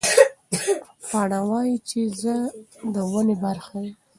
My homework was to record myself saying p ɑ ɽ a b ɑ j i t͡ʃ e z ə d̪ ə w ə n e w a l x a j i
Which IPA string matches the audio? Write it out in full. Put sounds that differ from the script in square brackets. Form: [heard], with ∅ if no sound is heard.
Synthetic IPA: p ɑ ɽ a [w] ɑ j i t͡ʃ e z ə d̪ ə w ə n e [b] a [ɾ] x a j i